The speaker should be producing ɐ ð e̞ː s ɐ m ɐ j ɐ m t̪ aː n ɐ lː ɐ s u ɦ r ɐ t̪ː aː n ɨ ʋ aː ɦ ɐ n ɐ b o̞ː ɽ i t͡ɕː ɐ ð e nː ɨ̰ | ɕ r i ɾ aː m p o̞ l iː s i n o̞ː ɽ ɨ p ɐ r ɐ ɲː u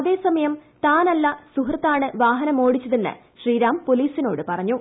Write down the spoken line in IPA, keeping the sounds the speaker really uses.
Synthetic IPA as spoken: ɐ ð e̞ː s ɐ m ɐ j ɐ m t̪ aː n ɐ lː ɐ s u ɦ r ɐ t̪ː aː ɳ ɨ ʋ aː ɦ ɐ n ɐ m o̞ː ɽ i t͡ɕː ɐ ð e nː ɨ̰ | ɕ r iː ɾ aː m p o̞ l iː s i n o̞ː ɽ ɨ p ɐ r ɐ ɲː u